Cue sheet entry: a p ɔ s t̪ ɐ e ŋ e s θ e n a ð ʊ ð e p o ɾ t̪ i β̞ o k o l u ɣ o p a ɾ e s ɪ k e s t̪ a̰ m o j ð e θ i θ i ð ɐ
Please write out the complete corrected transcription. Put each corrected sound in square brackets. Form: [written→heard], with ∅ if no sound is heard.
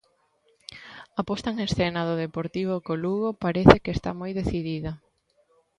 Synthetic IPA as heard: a p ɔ s t̪ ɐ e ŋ e s θ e n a ð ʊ ð e p o ɾ t̪ i β̞ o k o l u ɣ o p a ɾ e [s→θ] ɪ k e s t̪ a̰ m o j ð e θ i [θ→ð] i ð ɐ